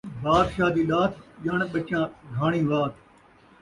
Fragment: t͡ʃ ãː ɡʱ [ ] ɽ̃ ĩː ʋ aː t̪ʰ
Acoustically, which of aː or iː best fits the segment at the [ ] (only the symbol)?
aː